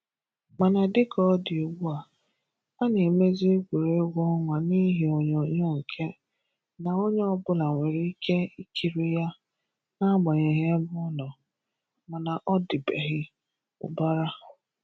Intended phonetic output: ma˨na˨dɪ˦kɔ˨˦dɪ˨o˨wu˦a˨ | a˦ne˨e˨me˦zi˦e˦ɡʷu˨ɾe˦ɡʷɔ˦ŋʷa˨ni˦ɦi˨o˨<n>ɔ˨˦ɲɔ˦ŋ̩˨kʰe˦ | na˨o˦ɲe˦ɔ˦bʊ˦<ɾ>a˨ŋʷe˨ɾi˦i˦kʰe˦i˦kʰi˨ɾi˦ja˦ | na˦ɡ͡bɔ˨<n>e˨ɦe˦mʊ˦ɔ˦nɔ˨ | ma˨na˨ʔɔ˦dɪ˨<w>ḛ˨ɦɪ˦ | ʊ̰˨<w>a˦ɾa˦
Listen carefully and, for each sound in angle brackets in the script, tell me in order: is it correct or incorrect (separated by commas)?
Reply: incorrect, incorrect, incorrect, incorrect, incorrect